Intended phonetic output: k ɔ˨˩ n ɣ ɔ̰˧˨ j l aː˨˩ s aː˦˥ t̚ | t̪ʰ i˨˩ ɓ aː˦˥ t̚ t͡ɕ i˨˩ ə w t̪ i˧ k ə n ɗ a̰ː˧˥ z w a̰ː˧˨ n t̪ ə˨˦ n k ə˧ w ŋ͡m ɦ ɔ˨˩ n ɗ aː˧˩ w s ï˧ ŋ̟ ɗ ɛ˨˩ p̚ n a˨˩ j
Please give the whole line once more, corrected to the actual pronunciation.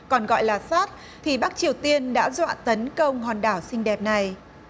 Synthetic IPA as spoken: k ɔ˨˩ n ɣ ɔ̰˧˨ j l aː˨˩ s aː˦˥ t̚ | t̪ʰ i˨˩ ɓ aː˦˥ k̚ t͡ɕ i˨˩ ə w t̪ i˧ ə n ɗ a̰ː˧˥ z w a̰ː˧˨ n t̪ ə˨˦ n k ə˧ w ŋ͡m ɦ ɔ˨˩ n ɗ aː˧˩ w s ï˧ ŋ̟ ɗ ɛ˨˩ p̚ n a˨˩ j